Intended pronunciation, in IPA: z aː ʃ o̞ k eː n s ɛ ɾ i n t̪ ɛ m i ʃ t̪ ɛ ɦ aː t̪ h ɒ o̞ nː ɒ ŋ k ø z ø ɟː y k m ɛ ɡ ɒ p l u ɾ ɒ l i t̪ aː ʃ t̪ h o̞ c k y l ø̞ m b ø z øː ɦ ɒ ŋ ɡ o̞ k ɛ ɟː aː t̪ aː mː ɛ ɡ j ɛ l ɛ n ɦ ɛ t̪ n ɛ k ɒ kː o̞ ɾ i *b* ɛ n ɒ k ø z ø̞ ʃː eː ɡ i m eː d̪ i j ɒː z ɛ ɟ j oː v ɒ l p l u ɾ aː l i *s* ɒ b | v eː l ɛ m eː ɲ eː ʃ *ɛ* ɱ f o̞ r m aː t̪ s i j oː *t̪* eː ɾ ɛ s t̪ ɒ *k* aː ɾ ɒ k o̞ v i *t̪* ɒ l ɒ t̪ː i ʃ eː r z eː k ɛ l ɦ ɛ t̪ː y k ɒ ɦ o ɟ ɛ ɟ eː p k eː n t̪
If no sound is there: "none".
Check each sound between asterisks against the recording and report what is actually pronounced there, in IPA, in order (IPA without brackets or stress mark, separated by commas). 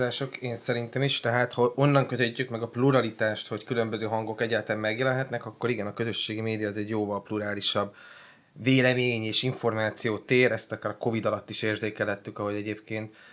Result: ɡ, ʃ, i, t̪, k, d̪